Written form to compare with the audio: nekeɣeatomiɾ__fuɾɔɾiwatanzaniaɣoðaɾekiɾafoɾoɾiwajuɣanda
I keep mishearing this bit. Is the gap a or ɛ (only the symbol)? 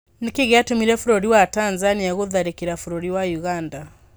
ɛ